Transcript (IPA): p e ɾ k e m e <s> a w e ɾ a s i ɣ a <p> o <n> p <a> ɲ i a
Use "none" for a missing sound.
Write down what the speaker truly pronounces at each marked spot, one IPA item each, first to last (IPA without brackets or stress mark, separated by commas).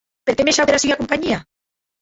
ʃ, k, m, a